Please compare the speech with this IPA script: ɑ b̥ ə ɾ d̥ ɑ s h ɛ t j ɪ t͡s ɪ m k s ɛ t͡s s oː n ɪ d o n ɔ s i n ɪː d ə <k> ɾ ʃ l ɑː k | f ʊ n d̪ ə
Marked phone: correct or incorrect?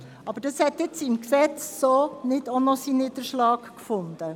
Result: incorrect